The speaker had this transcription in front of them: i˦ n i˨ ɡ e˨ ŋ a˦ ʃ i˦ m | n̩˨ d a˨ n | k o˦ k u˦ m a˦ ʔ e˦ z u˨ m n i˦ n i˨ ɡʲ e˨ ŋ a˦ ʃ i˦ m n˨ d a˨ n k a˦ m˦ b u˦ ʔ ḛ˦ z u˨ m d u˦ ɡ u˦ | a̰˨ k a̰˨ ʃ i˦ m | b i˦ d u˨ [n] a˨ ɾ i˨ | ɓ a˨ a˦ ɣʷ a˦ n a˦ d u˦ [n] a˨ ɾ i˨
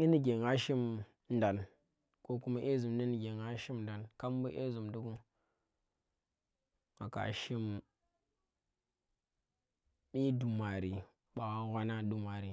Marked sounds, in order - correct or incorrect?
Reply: incorrect: m, incorrect: m

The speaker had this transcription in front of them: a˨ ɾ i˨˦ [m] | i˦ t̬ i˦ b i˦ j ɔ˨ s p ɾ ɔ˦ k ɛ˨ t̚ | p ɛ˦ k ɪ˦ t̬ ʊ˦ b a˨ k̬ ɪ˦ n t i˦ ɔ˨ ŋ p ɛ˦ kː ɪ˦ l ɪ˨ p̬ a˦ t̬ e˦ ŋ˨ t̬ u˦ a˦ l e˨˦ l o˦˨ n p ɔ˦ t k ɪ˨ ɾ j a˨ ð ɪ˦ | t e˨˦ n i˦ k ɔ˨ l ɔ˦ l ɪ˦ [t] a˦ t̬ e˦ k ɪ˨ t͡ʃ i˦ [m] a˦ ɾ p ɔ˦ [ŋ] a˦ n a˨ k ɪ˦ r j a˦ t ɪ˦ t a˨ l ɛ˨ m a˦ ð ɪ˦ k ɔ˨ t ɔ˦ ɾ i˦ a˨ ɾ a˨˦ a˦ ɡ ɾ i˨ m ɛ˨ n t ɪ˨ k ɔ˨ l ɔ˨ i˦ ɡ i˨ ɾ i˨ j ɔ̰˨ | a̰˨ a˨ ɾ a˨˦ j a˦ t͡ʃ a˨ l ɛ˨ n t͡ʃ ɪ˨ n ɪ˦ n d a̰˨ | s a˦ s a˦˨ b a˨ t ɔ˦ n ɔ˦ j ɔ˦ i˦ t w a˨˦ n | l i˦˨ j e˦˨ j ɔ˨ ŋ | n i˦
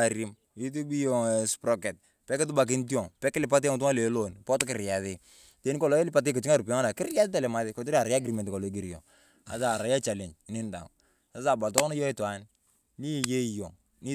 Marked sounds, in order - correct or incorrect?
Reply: correct, incorrect: p, incorrect: ŋ, correct

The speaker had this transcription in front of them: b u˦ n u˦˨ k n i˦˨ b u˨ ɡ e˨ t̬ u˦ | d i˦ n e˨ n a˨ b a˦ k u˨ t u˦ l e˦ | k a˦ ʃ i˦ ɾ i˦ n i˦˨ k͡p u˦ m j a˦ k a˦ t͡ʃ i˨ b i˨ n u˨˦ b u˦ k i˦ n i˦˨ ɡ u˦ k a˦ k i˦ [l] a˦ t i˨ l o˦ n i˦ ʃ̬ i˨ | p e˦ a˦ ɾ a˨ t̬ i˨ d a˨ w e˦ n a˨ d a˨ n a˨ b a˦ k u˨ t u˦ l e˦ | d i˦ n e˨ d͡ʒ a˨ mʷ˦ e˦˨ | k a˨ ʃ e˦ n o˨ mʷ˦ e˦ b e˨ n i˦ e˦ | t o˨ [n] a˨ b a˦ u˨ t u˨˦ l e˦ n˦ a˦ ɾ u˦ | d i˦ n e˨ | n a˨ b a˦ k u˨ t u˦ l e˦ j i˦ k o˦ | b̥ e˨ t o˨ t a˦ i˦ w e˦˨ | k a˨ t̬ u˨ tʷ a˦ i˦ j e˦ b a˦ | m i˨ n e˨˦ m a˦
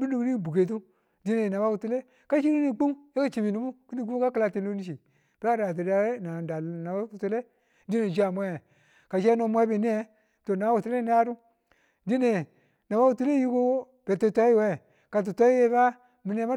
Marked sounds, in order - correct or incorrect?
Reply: correct, correct

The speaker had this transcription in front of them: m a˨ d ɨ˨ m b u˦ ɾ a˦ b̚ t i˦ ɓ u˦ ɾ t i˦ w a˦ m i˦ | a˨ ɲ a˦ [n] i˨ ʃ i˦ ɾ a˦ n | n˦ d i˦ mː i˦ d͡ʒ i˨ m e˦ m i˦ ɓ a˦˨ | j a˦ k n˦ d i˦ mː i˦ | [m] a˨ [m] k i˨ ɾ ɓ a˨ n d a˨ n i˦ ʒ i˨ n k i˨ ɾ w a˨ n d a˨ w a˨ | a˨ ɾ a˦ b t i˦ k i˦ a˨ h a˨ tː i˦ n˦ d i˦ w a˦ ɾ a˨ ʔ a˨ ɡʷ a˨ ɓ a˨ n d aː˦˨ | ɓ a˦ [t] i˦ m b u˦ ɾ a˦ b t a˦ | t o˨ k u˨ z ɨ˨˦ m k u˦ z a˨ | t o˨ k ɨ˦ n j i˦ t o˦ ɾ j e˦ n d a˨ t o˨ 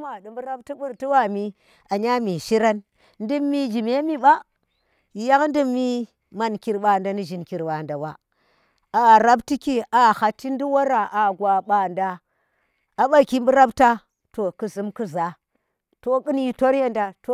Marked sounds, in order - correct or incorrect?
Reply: incorrect: m, correct, incorrect: n, incorrect: k

